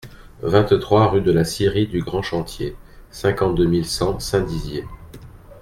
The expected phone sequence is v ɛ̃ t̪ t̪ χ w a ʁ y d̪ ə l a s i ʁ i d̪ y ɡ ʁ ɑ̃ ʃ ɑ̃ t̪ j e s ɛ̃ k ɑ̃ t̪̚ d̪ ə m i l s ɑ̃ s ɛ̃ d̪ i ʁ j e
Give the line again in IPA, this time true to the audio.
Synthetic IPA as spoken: v ɛ̃ t̪ t̪ χ w a ʁ y d̪ ə l a s i ʁ i d̪ y ɡ ʁ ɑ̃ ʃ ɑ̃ t̪ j e s ɛ̃ k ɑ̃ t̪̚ d̪ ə m i l s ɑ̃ s ɛ̃ d̪ i z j e